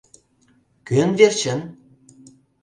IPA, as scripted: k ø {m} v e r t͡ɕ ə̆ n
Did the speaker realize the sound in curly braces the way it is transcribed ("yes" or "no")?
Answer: no